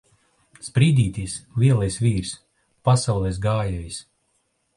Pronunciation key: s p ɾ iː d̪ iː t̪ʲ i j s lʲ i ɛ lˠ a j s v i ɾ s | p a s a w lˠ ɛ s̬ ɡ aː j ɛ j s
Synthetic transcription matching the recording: s p ɾ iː d̪ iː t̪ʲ i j s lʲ i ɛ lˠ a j s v iː ɾ s | p a s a w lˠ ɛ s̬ ɡ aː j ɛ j s